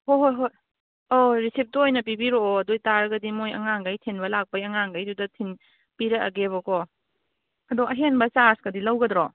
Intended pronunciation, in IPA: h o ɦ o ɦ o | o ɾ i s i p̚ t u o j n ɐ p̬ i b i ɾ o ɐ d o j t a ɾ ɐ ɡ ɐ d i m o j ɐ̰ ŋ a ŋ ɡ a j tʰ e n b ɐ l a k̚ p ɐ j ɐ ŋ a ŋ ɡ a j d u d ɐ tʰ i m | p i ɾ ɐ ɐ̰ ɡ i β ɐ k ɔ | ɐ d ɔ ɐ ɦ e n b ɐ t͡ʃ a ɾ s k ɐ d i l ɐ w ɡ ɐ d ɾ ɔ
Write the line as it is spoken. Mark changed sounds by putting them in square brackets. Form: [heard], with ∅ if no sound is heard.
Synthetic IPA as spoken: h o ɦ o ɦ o | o ɾ i s i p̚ t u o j n ɐ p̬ i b i ɾ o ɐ d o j t a ɾ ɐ ɡ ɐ d i m o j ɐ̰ ŋ a ŋ ɡ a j tʰ e n b ɐ l a k̚ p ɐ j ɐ ŋ a ŋ ɡ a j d u d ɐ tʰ i [n] | p i ɾ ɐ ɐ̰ ɡ [e] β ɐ k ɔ | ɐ d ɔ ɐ ɦ e n b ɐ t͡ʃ a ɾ s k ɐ d i l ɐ w ɡ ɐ d ɾ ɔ

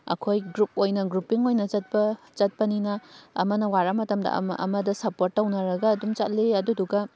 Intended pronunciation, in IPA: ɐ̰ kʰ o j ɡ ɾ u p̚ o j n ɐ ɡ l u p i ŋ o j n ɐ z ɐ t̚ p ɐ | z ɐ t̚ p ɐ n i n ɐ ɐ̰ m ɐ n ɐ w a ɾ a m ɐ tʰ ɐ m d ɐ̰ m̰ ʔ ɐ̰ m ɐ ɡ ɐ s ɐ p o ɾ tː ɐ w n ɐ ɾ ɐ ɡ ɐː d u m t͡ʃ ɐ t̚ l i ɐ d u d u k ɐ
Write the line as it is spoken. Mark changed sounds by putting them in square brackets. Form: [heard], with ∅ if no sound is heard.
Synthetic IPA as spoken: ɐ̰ kʰ o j ɡ ɾ u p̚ o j n ɐ ɡ [ɾ] u p i ŋ o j n ɐ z ɐ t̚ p ɐ | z ɐ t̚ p ɐ n i n ɐ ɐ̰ m ɐ n ɐ w a ɾ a m ɐ [t] ɐ m d ɐ̰ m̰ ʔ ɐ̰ m ɐ [d] ɐ s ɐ p o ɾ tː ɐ w n ɐ ɾ ɐ ɡ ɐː d u m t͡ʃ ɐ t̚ l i ɐ d u d u [ɡ] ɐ

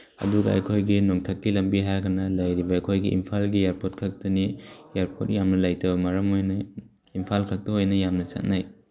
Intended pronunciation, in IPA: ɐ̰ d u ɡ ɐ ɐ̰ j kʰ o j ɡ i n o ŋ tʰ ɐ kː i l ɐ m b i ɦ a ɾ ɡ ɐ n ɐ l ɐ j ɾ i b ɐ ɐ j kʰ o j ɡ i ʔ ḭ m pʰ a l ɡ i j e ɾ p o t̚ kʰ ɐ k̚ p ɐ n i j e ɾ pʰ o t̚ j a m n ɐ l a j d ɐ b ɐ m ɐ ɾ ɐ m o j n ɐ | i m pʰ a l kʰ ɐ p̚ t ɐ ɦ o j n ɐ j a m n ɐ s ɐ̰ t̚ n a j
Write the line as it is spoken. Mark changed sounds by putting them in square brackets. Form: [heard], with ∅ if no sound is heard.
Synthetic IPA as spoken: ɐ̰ d u ɡ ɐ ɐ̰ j kʰ o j ɡ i n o ŋ tʰ ɐ kː i l ɐ m b i ɦ a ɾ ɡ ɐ n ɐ l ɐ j ɾ i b ɐ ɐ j kʰ o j ɡ i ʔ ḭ m pʰ a l ɡ i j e ɾ p o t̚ kʰ ɐ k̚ [t] ɐ n i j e ɾ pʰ o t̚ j a m n ɐ l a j [t] ɐ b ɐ m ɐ ɾ ɐ m o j n ɐ | i m pʰ a l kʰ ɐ [k̚] t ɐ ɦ o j n ɐ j a m n ɐ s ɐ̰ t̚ n a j

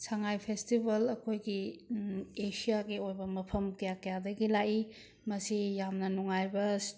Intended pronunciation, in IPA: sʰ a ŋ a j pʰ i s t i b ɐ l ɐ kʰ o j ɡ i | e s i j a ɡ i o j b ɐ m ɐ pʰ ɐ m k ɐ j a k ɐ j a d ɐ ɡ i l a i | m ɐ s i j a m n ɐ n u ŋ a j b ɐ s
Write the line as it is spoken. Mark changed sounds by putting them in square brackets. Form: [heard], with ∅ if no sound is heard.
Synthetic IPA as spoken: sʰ a ŋ a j pʰ [e] s t i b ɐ l ɐ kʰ o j ɡ i | e s i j a ɡ i o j b ɐ m ɐ pʰ ɐ m k ɐ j a k ɐ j a d ɐ ɡ i l a i | m ɐ s i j a m n ɐ n u ŋ a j b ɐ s

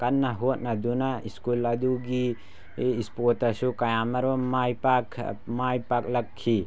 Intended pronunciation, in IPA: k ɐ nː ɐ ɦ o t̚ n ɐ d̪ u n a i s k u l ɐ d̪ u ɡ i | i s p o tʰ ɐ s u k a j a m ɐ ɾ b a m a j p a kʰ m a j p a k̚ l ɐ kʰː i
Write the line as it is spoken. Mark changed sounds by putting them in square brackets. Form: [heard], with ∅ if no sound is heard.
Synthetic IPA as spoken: k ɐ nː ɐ ɦ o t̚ n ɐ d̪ u n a i s k u l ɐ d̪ u ɡ i | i s p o [t] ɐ s u k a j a m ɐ ɾ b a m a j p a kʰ m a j p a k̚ l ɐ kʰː i

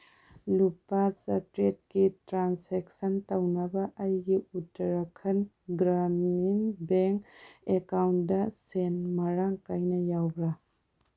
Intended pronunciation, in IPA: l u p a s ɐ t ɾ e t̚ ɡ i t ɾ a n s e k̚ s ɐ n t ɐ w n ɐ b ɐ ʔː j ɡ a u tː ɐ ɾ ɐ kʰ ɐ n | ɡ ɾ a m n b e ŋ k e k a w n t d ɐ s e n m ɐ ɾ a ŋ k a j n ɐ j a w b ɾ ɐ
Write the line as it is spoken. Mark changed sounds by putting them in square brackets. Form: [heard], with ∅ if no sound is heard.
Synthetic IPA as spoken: l u p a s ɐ t ɾ e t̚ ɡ i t ɾ a n s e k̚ s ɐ n t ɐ w n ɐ b ɐ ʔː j ɡ [i] u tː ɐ ɾ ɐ kʰ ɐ n | ɡ ɾ a m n b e ŋ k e k a w n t d ɐ s e n m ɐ ɾ a ŋ k a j n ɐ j a w b ɾ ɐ

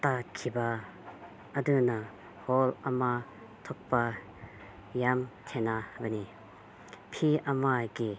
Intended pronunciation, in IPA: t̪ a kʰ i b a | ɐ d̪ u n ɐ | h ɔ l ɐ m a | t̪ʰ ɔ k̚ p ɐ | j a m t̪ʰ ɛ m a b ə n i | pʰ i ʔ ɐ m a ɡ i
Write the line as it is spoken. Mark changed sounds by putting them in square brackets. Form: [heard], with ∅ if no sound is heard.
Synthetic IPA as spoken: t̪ a kʰ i b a | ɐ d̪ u n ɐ | h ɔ l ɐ m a | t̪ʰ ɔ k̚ p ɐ | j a m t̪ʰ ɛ [n] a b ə n i | pʰ i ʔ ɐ m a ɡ i

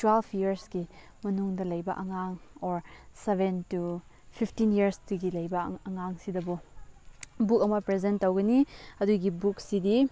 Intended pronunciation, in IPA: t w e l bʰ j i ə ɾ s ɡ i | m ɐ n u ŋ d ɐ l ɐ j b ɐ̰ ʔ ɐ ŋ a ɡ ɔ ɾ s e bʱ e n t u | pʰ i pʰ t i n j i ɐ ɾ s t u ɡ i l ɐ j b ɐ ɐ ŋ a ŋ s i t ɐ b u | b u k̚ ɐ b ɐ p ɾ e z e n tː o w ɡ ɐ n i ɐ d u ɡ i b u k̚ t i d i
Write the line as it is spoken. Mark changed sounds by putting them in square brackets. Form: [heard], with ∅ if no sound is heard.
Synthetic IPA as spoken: t w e l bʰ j i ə ɾ s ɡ i | m ɐ n u ŋ d ɐ l ɐ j b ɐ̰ ʔ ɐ ŋ a [ŋ] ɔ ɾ s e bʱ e n t u | pʰ i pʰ t i n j i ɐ ɾ s t u ɡ i l ɐ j b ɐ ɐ ŋ a ŋ s i [d] ɐ b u | b u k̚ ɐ [m] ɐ p ɾ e z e n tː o w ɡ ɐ n i ɐ d u ɡ i b u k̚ [s] i d i

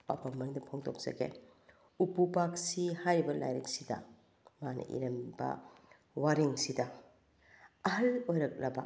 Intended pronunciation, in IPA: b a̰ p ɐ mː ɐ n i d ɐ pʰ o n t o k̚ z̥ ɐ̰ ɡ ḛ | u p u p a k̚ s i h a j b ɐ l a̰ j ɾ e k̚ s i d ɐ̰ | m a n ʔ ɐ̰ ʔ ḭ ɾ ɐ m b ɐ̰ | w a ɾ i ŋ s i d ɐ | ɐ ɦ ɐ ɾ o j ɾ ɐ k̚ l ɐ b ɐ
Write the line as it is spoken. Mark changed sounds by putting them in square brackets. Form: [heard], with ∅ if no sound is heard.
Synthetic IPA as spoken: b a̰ p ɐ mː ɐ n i d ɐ pʰ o [ŋ] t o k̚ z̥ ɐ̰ ɡ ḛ | u p u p a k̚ s i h a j b ɐ l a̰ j ɾ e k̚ s i d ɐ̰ | m a n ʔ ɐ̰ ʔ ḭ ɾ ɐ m b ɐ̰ | w a ɾ i ŋ s i d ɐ | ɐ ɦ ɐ [l] o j ɾ ɐ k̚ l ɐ b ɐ

